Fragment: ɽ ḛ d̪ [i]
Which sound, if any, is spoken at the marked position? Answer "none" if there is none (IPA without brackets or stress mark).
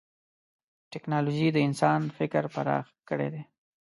e